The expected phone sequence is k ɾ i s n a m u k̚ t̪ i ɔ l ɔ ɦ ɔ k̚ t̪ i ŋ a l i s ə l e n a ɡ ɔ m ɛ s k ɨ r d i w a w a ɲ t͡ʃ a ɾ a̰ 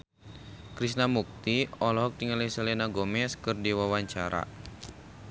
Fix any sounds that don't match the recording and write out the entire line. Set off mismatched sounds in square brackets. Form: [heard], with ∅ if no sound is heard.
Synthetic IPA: k ɾ i s n a m u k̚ t̪ i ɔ l ɔ ɦ ɔ k̚ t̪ i ŋ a l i s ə l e n a ɡ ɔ m ɛ s k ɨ r d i w a w a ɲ t͡ʃ a ɾ a̰